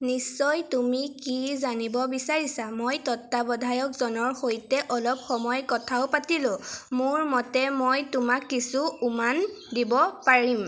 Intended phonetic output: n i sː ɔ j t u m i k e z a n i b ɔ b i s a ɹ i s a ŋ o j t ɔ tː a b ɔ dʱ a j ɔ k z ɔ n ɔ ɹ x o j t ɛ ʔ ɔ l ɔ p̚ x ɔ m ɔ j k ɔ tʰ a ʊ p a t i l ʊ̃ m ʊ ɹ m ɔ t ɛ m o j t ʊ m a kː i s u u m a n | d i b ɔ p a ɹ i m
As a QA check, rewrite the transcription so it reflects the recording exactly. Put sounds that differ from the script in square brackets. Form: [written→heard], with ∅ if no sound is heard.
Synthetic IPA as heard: n i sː ɔ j t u m i k [e→i] z a n i b ɔ b i s a ɹ i s a [ŋ→m] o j t ɔ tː a b ɔ dʱ a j ɔ k z ɔ n ɔ ɹ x o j t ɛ ʔ ɔ l ɔ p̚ x ɔ m ɔ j k ɔ tʰ a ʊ p a t i l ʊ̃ m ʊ ɹ m ɔ t ɛ m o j t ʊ m a kː i s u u m a n | d i b ɔ p a ɹ i m

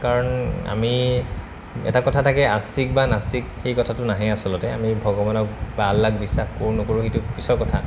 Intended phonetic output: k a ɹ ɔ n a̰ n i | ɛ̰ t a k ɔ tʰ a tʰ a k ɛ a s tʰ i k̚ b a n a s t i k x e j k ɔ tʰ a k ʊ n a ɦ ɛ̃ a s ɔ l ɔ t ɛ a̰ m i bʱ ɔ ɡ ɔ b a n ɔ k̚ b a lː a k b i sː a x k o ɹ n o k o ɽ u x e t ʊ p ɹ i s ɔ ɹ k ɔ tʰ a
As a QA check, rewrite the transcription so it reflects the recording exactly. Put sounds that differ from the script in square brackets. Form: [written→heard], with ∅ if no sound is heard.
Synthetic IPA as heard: k a ɹ ɔ n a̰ [n→m] i | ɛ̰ t a k ɔ tʰ a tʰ a k ɛ a s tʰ i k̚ b a n a s t i k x e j k ɔ tʰ a [k→t] ʊ n a ɦ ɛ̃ a s ɔ l ɔ t ɛ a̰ m i bʱ ɔ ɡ ɔ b a n ɔ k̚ b a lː a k b i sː a x k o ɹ n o k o [ɽ→ɹ] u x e t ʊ p ɹ i s ɔ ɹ k ɔ tʰ a

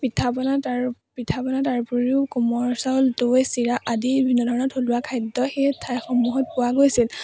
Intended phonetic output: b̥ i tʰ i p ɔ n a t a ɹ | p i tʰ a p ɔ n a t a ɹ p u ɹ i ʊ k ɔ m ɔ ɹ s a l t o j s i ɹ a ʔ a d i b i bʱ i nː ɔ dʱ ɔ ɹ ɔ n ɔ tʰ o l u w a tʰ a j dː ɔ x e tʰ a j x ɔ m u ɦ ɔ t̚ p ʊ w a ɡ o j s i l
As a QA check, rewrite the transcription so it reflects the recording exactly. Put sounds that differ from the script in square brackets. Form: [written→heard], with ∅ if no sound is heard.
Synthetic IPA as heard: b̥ i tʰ [i→a] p ɔ n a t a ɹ | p i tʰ a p ɔ n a t a ɹ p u ɹ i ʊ k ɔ m ɔ ɹ s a l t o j s i ɹ a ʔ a d i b i bʱ i nː ɔ dʱ ɔ ɹ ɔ n ɔ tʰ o l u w a [tʰ→kʰ] a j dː ɔ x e tʰ a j x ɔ m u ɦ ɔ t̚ p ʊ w a ɡ o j s i l

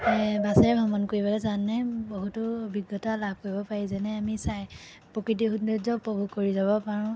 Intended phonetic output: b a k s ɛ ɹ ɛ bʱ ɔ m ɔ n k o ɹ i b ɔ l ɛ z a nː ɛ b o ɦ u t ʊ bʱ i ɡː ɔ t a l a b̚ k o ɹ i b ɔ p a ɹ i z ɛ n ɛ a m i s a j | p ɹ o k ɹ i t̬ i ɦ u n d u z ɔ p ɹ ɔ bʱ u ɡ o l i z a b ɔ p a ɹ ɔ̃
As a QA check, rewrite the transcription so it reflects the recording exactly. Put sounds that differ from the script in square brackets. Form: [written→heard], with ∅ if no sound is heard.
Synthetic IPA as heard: b a [k→∅] s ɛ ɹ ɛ bʱ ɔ m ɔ n k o ɹ i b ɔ l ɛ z a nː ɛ b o ɦ u t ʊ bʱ i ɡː ɔ t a l a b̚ k o ɹ i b ɔ p a ɹ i z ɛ n ɛ a m i s a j | p ɹ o k ɹ i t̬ i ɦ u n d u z ɔ p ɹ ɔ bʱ u [ɡ→k] o [l→ɹ] i z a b ɔ p a ɹ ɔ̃

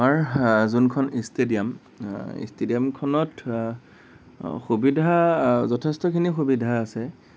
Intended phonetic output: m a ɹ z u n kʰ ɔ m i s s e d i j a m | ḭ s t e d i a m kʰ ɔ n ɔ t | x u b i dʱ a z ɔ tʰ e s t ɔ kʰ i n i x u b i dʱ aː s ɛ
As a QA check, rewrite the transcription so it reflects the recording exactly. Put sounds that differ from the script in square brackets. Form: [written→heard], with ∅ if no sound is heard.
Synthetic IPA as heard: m a ɹ z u n kʰ ɔ [m→n] i s [s→t] e d i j a m | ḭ s t e d i a m kʰ ɔ n ɔ t | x u b i dʱ a z ɔ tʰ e s t ɔ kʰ i n i x u b i dʱ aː s ɛ

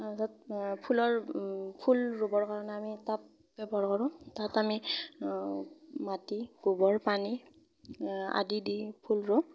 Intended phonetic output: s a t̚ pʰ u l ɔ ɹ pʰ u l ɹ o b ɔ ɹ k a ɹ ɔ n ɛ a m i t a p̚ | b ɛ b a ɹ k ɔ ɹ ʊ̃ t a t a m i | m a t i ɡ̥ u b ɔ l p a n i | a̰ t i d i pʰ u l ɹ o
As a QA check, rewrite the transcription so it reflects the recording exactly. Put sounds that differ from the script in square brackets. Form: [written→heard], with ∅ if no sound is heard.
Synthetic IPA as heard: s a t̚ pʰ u l ɔ ɹ pʰ u l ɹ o b ɔ ɹ k a ɹ ɔ n ɛ a m i t a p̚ | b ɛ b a ɹ k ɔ ɹ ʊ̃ t a t a m i | m a t i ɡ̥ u b ɔ [l→ɹ] p a n i | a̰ [t→d] i d i pʰ u l ɹ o

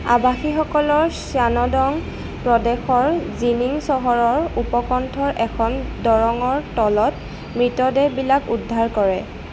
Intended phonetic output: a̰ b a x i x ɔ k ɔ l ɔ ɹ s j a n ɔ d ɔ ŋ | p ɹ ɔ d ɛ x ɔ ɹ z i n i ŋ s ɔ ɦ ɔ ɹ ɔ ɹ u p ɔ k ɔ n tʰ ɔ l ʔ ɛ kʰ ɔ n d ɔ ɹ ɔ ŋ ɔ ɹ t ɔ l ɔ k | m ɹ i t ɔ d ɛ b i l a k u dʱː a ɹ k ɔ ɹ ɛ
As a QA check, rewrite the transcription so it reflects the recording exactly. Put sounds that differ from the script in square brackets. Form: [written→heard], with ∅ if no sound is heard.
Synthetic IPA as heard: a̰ b a x i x ɔ k ɔ l ɔ ɹ s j a n ɔ d ɔ ŋ | p ɹ ɔ d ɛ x ɔ ɹ z i n i ŋ s ɔ ɦ ɔ ɹ ɔ ɹ u p ɔ k ɔ n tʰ ɔ [l→ɹ] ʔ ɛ kʰ ɔ n d ɔ ɹ ɔ ŋ ɔ ɹ t ɔ l ɔ [k→t] | m ɹ i t ɔ d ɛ b i l a k u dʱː a ɹ k ɔ ɹ ɛ

